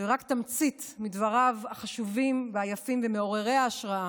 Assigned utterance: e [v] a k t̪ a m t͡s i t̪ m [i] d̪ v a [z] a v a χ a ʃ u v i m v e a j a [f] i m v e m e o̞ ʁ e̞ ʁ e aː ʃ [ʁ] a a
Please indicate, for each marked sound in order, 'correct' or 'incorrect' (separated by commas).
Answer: incorrect, correct, incorrect, correct, correct